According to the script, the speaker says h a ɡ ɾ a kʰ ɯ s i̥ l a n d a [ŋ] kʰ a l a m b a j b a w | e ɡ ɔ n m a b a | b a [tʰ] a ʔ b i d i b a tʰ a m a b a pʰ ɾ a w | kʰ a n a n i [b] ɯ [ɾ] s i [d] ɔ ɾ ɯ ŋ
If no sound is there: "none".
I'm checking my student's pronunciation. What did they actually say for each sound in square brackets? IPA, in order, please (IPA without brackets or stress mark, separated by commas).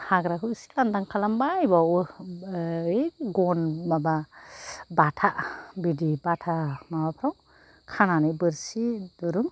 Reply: ŋ, tʰ, b, ɾ, d